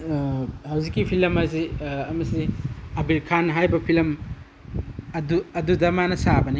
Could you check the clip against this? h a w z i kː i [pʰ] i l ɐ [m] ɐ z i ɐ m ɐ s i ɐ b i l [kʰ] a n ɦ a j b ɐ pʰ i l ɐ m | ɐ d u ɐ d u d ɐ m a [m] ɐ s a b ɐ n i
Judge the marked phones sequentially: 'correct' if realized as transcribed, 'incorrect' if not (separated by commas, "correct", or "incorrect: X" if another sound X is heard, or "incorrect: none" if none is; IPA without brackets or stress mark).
correct, correct, correct, incorrect: n